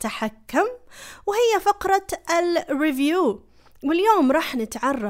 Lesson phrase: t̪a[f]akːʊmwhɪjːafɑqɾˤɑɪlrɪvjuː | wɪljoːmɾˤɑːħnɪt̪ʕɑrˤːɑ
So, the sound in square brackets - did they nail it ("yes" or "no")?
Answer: no